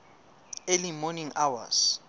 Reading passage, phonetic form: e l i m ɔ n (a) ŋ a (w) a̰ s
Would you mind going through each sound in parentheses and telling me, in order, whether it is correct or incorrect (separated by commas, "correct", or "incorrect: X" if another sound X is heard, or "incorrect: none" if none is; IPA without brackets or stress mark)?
incorrect: i, correct